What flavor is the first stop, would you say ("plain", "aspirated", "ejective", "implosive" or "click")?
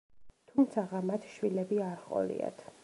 aspirated